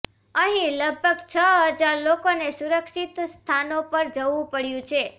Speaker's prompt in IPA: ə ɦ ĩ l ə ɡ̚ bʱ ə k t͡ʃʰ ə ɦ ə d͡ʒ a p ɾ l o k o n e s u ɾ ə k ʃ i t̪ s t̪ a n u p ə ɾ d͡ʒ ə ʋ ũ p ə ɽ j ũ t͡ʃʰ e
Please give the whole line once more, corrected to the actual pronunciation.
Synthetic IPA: ə ɦ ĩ l ə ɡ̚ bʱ ə ɡ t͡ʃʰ ə ɦ ə d͡ʒ a ɾ l o k o n e s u ɾ ə k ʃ i t̪ s t̪ʰ a n o p ə ɾ d͡ʒ ə ʋ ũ p ə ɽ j ũ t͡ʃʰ e